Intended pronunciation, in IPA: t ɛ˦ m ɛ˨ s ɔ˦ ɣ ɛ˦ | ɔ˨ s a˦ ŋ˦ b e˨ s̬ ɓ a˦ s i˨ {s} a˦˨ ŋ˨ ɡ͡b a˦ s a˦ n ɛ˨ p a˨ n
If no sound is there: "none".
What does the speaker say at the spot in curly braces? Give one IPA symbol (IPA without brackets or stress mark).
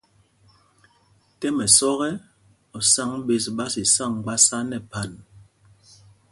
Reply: s